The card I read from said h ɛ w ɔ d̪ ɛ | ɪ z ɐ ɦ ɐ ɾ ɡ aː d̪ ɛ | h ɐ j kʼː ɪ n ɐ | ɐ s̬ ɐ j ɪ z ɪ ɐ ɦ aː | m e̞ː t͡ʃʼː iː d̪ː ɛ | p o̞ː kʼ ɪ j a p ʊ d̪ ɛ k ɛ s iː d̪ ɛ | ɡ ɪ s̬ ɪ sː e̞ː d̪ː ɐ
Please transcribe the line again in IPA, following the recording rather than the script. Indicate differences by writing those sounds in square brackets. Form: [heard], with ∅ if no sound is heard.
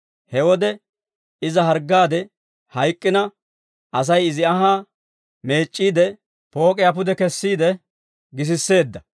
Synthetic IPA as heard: h ɛ w ɔ d̪ ɛ | ɪ z ɐ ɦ ɐ ɾ ɡ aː d̪ ɛ | h ɐ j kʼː ɪ n ɐ | ɐ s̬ ɐ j ɪ z ɪ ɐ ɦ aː | m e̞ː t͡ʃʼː iː [d̪] ɛ | p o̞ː kʼ ɪ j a p ʊ d̪ ɛ k ɛ [sː] iː d̪ ɛ | ɡ ɪ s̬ ɪ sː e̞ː d̪ː ɐ